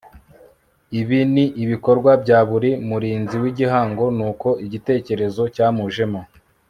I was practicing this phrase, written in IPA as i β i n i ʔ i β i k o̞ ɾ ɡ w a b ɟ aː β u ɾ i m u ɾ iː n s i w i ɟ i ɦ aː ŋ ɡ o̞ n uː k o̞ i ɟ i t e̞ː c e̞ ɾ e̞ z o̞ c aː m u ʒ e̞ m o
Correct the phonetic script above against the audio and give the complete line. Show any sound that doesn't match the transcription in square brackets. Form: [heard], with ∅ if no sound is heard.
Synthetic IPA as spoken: i β i n i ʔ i β i k o̞ ɾ ɡ w a b ɟ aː β u ɾ i m u ɾ iː n [z] i w i ɟ i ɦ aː ŋ ɡ o̞ n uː k o̞ i ɟ i t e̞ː c e̞ ɾ e̞ z o̞ c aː m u ʒ e̞ m o